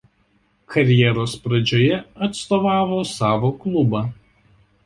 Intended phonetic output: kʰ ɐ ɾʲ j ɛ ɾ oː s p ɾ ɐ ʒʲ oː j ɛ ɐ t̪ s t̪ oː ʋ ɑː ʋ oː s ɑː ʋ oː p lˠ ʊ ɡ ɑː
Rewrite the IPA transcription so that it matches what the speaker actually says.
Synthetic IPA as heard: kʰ ɐ ɾʲ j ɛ ɾ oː s p ɾ ɐ d͡ʒʲ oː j ɛ ɐ t̪ s t̪ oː ʋ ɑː ʋ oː s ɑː ʋ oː k lˠ ʊ b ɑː